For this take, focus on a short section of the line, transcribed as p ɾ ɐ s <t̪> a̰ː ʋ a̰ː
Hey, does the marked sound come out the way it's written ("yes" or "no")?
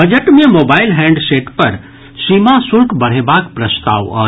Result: yes